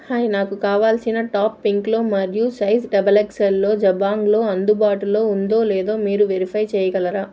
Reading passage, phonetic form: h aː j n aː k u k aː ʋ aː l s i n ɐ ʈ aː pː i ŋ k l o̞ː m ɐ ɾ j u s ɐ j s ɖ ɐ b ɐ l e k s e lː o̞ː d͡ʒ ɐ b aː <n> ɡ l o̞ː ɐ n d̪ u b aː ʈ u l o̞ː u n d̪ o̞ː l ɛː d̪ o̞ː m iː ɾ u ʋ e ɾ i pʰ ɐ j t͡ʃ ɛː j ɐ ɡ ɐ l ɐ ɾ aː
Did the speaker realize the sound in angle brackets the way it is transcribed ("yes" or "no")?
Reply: no